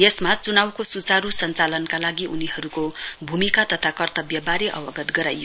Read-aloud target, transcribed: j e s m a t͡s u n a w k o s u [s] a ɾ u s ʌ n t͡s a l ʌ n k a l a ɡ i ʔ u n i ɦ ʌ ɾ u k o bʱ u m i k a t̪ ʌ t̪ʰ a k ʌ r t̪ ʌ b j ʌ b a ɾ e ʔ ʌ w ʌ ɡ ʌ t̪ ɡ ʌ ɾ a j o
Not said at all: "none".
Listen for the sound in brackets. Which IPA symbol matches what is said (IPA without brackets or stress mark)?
t͡s